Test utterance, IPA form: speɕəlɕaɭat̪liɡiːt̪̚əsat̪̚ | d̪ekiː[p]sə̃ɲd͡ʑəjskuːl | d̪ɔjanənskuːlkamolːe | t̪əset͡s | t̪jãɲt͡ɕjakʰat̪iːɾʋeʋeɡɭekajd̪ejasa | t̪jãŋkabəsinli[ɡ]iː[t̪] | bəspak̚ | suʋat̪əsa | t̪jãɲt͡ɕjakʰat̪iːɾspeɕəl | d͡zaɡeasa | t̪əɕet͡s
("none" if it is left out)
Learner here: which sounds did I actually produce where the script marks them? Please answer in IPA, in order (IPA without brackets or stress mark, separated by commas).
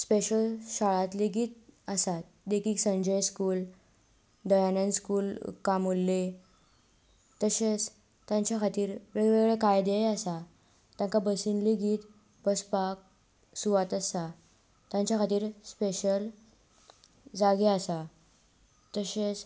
k, ɡ, t̪